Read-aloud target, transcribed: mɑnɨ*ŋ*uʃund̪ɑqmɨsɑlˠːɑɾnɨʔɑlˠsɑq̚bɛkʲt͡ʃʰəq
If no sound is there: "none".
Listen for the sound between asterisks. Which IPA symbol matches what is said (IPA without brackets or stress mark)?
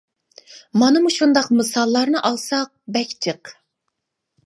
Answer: m